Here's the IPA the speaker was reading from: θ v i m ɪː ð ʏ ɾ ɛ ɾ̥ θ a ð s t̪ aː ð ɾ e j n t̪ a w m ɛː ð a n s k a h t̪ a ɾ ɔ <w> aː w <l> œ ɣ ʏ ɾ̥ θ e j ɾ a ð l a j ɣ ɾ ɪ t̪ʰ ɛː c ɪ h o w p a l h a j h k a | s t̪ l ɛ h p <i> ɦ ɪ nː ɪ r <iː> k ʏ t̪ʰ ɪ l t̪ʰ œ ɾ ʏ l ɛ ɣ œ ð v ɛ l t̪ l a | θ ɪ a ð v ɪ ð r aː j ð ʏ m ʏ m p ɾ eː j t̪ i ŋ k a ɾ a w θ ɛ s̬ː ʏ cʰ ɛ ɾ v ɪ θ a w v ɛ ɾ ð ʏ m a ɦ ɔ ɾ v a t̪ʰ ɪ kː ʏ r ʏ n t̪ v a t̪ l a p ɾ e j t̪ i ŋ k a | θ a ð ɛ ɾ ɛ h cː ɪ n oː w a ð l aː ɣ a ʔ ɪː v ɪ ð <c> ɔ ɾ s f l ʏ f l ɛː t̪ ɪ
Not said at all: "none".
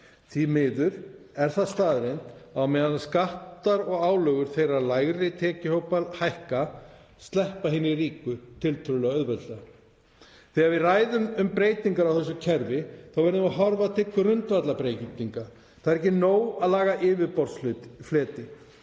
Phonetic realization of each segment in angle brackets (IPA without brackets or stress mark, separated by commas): ɣ, l, a, iː, p